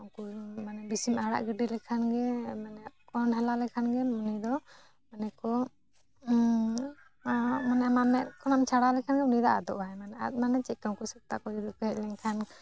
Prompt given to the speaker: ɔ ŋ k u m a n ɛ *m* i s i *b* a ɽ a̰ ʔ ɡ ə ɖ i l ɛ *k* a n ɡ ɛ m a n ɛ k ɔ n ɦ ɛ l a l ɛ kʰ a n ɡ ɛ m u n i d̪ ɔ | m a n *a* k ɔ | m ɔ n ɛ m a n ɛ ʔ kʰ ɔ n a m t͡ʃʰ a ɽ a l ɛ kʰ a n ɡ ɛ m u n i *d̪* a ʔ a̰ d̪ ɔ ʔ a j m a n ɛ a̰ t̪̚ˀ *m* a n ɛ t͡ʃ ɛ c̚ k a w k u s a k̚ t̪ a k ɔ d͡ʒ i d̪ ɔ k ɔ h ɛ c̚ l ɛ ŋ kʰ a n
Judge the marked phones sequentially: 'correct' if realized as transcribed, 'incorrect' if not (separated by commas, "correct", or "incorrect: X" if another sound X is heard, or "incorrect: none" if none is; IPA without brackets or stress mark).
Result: incorrect: b, incorrect: m, incorrect: kʰ, incorrect: ɛ, correct, correct